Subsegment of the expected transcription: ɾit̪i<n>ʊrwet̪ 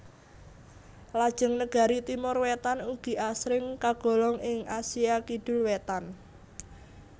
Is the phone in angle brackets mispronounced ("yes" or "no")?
yes